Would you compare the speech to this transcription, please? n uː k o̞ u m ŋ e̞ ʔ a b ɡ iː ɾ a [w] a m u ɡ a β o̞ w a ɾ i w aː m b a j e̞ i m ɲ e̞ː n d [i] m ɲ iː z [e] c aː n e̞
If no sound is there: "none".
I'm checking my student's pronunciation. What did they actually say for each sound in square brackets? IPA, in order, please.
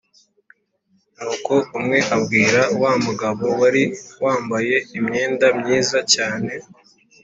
w, a, a

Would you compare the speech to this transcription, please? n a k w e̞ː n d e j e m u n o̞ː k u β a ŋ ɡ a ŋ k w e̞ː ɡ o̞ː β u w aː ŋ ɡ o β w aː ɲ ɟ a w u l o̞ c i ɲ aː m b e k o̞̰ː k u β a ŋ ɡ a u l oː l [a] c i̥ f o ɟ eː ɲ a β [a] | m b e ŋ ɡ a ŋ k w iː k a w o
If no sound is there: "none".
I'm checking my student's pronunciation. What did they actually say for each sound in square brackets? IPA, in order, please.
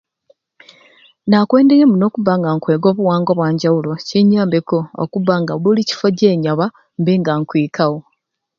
i, a

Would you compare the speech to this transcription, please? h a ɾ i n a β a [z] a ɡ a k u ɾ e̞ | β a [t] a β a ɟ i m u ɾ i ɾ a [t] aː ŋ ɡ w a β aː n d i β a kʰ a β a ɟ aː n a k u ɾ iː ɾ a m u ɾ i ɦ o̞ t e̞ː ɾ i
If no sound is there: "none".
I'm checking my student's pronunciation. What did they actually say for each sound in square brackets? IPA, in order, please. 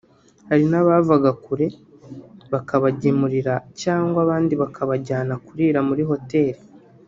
v, k, c

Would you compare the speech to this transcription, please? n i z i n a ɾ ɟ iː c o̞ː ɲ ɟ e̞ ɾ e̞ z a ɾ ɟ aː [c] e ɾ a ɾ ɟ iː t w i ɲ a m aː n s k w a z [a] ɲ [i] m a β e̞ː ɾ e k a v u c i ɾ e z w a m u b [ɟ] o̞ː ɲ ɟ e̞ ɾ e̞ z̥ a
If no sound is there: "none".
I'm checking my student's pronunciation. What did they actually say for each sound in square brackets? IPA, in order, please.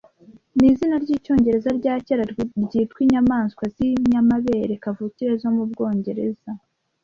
c, i, a, ɡ

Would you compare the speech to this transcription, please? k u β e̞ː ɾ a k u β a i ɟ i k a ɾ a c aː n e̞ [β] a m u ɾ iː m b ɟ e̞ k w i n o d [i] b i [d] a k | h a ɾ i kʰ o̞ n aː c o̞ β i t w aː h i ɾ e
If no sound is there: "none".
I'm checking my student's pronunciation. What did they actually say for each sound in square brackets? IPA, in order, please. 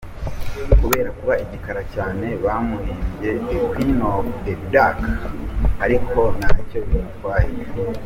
β, e, d

